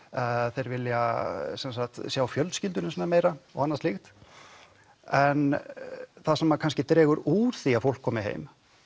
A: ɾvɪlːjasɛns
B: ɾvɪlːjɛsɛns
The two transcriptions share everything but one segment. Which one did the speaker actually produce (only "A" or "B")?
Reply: A